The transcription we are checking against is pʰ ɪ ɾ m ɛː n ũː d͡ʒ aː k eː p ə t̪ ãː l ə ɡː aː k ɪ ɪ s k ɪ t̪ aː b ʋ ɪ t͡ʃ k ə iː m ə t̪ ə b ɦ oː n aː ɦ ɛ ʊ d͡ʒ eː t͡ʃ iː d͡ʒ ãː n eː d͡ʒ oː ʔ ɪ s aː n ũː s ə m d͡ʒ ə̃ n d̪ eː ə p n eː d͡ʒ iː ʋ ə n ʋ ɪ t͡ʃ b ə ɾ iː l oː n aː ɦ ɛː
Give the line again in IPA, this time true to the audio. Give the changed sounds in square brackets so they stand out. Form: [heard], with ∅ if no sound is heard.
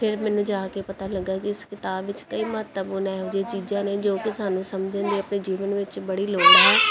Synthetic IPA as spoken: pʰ ɪ ɾ m ɛː n ũː d͡ʒ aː k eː p ə t̪ [aː] l ə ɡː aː k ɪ ɪ s k ɪ t̪ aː b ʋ ɪ t͡ʃ k ə iː m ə t̪ ə b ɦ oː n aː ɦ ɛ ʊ d͡ʒ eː t͡ʃ iː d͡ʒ ãː n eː d͡ʒ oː [k] ɪ s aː n ũː s ə m d͡ʒ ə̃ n d̪ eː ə p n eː d͡ʒ iː ʋ ə n ʋ ɪ t͡ʃ b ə [ɽ] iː l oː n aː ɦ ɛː